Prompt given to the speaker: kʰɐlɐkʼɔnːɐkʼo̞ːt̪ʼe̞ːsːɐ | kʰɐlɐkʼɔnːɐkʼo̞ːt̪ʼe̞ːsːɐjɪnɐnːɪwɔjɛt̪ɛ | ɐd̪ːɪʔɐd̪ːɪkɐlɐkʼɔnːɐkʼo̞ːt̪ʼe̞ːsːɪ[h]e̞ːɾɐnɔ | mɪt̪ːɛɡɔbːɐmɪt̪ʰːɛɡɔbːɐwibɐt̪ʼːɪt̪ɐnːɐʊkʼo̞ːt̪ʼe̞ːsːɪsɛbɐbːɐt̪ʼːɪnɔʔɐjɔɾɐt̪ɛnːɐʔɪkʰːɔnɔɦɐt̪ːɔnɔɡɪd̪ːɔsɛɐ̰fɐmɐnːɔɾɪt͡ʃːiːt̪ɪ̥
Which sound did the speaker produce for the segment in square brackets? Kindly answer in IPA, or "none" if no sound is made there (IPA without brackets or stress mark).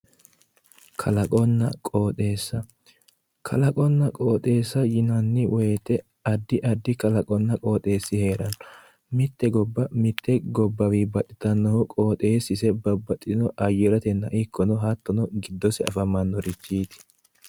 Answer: h